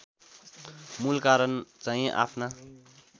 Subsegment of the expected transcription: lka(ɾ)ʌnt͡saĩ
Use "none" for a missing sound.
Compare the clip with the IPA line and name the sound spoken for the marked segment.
ɾ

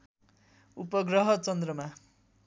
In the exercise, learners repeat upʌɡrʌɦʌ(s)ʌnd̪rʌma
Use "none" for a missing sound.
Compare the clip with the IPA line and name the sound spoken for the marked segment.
t͡s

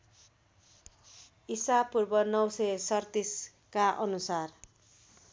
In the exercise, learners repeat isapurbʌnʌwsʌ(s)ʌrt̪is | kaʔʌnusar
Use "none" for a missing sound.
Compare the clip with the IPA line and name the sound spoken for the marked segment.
s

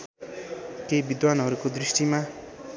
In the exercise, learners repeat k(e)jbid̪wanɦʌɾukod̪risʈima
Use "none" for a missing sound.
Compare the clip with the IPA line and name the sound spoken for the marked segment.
e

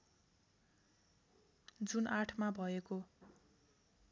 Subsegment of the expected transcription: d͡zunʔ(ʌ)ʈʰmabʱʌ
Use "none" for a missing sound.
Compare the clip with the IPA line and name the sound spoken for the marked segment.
a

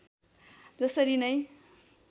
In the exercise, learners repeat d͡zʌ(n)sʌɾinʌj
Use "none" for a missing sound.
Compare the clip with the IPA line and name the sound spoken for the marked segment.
none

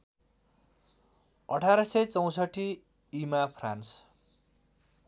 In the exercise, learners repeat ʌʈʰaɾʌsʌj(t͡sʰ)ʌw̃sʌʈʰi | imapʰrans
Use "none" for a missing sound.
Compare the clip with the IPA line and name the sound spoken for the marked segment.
t͡s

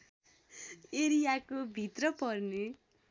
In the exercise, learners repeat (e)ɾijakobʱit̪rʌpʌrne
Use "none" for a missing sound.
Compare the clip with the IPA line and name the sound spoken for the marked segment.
e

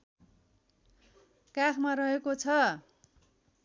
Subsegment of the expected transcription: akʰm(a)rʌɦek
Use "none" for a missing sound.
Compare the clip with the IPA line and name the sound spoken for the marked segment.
a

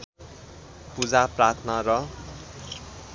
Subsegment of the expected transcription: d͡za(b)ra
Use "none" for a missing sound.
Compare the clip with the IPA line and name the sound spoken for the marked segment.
p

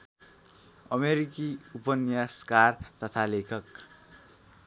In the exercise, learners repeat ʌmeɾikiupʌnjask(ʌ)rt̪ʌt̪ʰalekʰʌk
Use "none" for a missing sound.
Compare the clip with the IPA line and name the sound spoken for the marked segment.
a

